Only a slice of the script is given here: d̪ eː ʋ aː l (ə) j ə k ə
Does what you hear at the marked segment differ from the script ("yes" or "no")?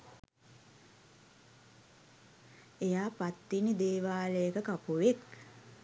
no